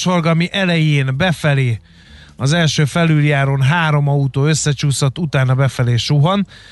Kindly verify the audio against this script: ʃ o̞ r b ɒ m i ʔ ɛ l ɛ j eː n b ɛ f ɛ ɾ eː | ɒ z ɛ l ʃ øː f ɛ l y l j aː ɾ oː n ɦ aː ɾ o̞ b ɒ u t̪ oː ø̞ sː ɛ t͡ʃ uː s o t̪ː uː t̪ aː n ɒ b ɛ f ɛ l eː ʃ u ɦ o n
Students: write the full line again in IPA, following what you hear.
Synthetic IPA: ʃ o̞ r ɡ ɒ m i ʔ ɛ l ɛ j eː n b ɛ f ɛ l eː | ɒ z ɛ l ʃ øː f ɛ l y l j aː ɾ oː n ɦ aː ɾ o̞ m ɒ u t̪ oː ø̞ sː ɛ t͡ʃ uː s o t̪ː u t̪ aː n ɒ b ɛ f ɛ l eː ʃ u ɦ o n